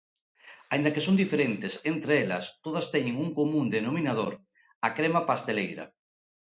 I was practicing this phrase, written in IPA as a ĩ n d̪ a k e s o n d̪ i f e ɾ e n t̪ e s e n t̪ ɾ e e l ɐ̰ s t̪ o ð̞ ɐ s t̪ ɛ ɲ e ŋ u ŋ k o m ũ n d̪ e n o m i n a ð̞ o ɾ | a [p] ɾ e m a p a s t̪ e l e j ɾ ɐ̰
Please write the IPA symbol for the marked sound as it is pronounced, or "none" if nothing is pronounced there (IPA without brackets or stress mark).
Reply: k